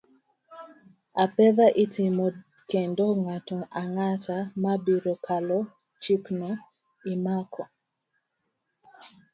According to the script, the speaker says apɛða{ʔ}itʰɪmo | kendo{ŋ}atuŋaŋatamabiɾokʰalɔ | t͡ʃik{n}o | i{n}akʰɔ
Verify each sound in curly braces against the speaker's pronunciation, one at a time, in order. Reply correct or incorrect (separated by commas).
correct, correct, correct, incorrect